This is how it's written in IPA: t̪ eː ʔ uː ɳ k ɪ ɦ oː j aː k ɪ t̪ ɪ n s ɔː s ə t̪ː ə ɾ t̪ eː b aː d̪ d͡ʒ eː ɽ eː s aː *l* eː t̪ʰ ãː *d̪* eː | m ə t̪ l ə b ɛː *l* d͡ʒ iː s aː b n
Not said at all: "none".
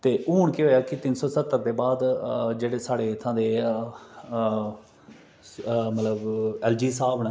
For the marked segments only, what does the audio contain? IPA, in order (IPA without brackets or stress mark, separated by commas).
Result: ɽ, d̪, l